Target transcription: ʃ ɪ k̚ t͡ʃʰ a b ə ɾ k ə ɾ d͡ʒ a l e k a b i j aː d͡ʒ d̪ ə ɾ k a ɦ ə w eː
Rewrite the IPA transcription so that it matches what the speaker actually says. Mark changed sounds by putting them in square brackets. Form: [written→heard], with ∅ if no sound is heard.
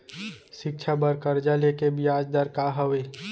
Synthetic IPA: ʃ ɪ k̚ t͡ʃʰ a b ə ɾ k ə ɾ d͡ʒ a l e k [a→e] b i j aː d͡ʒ d̪ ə ɾ k a ɦ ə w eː